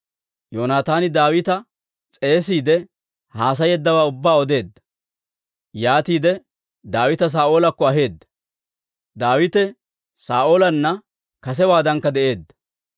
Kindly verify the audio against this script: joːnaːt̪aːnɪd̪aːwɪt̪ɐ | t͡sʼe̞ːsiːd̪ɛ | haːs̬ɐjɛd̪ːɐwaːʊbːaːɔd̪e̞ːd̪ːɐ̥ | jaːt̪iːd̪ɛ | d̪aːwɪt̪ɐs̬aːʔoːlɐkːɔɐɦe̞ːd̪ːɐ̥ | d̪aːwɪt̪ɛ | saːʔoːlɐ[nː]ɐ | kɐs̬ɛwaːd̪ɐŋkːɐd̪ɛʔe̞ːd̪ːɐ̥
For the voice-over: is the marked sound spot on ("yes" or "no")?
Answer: yes